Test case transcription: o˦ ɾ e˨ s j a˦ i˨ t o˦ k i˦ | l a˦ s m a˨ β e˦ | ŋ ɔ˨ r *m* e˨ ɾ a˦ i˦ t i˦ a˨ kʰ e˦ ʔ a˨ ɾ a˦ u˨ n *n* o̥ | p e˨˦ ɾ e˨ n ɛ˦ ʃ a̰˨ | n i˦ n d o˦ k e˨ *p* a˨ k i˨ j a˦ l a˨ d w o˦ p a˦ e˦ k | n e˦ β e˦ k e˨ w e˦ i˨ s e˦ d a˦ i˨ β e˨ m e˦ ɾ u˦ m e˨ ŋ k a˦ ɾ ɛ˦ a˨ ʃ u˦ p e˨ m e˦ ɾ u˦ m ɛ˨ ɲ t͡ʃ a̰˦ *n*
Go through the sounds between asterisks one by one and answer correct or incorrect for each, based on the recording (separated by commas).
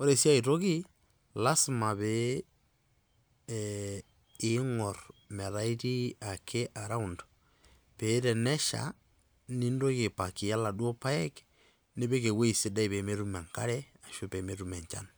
correct, incorrect, correct, correct